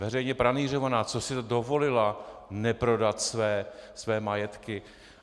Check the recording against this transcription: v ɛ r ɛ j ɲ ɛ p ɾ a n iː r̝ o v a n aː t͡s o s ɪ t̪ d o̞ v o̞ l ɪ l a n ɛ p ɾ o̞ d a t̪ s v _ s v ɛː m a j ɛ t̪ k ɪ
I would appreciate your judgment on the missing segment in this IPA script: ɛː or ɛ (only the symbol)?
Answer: ɛː